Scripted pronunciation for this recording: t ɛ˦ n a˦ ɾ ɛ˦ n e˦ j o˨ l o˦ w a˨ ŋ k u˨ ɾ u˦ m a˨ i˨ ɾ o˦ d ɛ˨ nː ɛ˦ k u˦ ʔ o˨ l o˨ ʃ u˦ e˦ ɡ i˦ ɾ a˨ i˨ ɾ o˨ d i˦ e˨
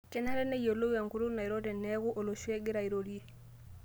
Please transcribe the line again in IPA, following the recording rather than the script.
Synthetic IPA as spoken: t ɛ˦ n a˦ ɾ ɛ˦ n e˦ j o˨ l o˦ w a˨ ŋ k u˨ ɾ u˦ n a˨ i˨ ɾ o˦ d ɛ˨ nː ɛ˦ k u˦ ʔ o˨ l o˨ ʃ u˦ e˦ ɡ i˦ ɾ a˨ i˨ ɾ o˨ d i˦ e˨